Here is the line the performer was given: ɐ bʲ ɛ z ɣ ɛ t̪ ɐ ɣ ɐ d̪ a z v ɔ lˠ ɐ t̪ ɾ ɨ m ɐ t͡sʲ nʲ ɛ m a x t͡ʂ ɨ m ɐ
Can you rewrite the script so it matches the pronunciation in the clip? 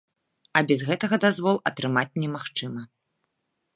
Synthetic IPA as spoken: ɐ bʲ ɛ z ɣ ɛ t̪ ɐ ɣ ɐ d̪ a z v ɔ lˠ ɐ t̪ ɾ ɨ m a t͡sʲ nʲ ɛ m a x t͡ʂ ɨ m ɐ